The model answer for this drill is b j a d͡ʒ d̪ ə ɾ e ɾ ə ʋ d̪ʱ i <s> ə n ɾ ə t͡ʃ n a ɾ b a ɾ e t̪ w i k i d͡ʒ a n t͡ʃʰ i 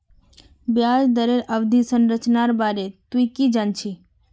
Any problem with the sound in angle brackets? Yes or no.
no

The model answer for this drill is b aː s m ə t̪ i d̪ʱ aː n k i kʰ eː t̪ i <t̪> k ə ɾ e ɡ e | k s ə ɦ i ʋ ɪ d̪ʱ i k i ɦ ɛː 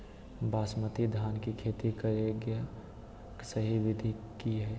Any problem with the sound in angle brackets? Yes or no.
yes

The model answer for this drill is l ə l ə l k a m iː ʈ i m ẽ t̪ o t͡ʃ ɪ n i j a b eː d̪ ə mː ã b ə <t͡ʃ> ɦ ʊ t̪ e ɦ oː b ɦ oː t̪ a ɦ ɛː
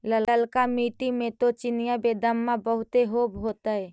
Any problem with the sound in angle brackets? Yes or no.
yes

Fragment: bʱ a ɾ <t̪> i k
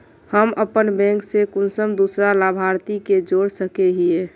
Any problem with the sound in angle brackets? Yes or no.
no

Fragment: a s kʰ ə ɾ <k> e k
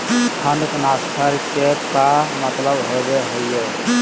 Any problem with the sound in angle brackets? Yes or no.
no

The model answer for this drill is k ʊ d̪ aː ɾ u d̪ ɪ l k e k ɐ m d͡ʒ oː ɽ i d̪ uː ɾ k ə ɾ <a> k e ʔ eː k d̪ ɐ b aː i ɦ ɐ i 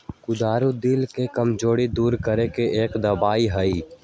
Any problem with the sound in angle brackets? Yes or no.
yes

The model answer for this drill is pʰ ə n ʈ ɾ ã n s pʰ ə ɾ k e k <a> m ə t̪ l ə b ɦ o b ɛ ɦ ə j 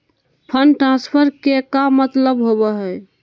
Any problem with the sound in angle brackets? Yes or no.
no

